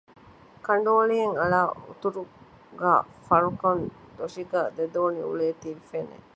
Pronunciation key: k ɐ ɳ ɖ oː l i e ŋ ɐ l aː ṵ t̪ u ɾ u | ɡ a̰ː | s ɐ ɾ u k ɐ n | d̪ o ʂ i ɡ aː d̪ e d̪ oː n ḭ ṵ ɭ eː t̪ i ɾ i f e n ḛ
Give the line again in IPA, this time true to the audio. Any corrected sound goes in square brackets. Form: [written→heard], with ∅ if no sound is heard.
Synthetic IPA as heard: k ɐ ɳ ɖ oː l i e ŋ ɐ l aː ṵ t̪ u ɾ u | ɡ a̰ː | [s→f] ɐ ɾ u k ɐ n | d̪ o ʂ i ɡ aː d̪ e d̪ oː n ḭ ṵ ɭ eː t̪ i ɾ i f e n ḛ